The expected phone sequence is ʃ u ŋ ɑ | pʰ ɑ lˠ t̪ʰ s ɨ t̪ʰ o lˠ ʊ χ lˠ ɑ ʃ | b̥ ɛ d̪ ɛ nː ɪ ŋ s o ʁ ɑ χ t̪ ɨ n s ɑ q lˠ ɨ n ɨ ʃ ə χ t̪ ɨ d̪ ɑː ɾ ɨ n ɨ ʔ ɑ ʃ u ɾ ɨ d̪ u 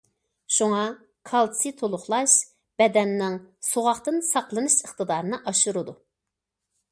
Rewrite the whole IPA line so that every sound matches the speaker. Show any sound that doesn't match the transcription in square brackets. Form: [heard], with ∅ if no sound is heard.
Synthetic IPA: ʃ u ŋ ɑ | [kʰ] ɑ lˠ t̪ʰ s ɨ t̪ʰ o lˠ ʊ χ lˠ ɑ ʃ | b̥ ɛ d̪ ɛ nː ɪ ŋ s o ʁ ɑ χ t̪ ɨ n s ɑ q lˠ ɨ n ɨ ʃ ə χ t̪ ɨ d̪ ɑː ɾ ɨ n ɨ ʔ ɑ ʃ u ɾ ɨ d̪ u